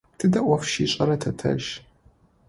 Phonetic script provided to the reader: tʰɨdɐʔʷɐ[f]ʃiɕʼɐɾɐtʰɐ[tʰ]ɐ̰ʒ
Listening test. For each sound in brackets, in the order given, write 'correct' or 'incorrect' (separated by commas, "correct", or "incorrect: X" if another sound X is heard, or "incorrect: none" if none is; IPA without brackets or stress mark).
correct, correct